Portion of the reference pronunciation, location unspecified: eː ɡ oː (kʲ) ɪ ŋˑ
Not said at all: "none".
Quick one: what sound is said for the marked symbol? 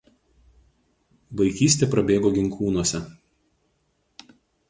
ɡʲ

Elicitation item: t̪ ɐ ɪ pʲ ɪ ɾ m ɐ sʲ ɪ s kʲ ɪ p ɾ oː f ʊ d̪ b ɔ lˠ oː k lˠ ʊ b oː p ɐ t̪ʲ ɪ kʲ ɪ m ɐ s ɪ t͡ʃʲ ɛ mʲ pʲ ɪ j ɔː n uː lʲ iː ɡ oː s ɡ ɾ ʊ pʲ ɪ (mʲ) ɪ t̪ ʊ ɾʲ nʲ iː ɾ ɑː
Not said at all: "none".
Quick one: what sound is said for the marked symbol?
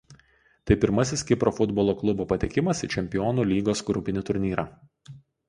nʲ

